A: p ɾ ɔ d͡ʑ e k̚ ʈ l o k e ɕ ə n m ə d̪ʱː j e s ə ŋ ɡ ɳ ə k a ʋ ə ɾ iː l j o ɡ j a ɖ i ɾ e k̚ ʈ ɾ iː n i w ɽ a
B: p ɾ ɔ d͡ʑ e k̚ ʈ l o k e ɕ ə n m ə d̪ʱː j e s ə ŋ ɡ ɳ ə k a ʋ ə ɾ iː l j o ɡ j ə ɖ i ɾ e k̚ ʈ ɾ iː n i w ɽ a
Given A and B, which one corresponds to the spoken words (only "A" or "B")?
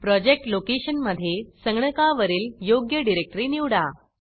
B